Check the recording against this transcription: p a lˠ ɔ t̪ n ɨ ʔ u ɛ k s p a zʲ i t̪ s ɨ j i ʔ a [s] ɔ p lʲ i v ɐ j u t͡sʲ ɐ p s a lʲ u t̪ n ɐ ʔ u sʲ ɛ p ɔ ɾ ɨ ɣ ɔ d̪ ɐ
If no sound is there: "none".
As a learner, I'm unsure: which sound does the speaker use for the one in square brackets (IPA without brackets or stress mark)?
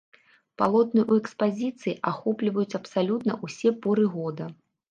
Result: x